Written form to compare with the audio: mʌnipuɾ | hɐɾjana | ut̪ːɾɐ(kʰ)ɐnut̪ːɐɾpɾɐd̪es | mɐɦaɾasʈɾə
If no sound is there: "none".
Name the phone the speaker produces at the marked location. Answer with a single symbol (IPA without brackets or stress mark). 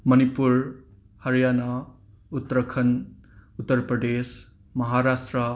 kʰ